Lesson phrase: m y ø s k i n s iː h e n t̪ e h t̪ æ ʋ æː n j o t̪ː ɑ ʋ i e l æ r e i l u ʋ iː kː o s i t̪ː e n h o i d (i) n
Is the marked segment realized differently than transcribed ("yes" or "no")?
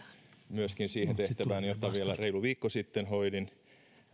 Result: no